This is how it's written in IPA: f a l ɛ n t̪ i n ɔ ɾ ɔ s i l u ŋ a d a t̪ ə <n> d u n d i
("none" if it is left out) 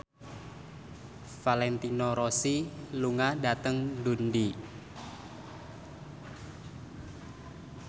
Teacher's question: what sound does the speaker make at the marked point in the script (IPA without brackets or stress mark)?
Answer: ŋ